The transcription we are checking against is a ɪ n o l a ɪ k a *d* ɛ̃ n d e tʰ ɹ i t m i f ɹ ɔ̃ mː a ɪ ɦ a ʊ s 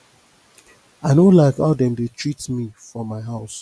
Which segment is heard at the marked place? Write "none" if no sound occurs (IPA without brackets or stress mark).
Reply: d